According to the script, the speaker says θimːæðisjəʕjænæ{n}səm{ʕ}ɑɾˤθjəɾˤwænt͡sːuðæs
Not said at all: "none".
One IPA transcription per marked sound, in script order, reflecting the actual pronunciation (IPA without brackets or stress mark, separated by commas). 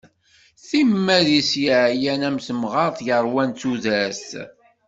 m, ʁ